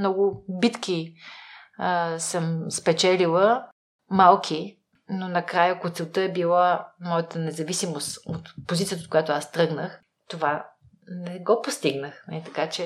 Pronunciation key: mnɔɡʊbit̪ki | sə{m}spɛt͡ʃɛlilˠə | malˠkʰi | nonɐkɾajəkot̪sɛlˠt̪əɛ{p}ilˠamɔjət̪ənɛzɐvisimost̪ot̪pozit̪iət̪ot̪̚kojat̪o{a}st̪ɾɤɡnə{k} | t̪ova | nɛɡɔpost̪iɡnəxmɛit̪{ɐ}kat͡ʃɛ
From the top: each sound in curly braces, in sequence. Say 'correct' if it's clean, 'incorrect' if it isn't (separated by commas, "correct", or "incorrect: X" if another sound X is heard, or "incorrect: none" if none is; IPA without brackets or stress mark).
correct, incorrect: b, correct, incorrect: x, correct